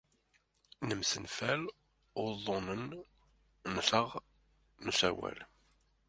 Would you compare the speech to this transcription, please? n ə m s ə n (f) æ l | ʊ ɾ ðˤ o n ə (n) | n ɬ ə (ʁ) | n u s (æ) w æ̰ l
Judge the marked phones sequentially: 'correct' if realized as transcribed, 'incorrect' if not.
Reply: correct, correct, correct, correct

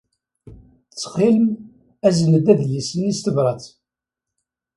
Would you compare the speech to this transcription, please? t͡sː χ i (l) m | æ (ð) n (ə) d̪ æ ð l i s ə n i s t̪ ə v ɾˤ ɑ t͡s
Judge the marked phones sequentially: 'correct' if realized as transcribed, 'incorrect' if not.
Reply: correct, incorrect: z, correct

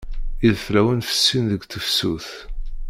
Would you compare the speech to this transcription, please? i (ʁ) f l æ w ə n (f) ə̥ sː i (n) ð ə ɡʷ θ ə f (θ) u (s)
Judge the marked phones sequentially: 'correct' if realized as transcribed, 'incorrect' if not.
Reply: incorrect: ð, correct, correct, incorrect: s, incorrect: θ

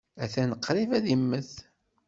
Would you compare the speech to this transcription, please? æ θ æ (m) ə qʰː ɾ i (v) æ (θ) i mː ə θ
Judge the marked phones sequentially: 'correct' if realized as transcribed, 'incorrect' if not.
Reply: incorrect: n, correct, incorrect: ð

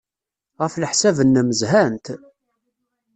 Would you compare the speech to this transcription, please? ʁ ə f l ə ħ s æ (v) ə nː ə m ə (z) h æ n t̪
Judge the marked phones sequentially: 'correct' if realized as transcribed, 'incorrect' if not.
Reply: correct, correct

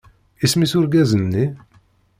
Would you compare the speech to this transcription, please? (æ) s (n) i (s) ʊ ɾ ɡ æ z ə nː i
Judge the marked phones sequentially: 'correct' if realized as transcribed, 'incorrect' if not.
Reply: incorrect: i, incorrect: m, correct

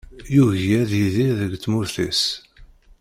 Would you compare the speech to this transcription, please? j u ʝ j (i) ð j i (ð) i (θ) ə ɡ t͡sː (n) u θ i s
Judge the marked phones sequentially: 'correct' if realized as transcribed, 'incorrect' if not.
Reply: incorrect: æ, correct, incorrect: ð, incorrect: m

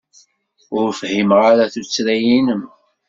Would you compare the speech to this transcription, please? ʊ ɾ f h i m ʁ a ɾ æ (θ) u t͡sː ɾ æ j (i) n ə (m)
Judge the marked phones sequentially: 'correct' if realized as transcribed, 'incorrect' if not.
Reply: correct, correct, correct

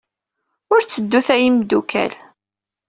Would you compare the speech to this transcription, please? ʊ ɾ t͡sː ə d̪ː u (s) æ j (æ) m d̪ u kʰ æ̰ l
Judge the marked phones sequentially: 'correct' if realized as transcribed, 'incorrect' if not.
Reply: incorrect: θ, incorrect: i

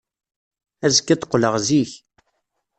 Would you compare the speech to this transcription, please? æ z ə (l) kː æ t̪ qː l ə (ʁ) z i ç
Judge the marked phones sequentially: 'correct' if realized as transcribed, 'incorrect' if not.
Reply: incorrect: none, correct

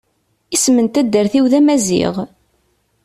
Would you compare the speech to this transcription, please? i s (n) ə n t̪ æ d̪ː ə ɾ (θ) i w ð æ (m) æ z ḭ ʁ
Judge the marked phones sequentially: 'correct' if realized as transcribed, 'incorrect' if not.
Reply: incorrect: m, correct, correct

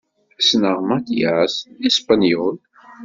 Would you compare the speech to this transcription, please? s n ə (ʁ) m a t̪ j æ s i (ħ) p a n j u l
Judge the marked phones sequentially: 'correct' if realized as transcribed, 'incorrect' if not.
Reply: correct, incorrect: s

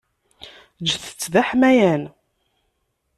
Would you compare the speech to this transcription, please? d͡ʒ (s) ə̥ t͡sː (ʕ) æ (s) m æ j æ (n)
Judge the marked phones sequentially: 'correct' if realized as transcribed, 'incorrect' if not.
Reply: incorrect: θ, incorrect: ð, incorrect: ħ, correct

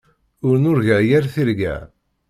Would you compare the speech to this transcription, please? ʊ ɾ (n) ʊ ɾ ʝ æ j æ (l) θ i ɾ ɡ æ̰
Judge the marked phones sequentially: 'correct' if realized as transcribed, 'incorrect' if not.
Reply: correct, incorrect: ɾ

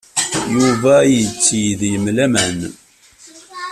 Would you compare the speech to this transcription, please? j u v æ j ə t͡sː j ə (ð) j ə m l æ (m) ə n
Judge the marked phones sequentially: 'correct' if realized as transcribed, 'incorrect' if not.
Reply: correct, correct

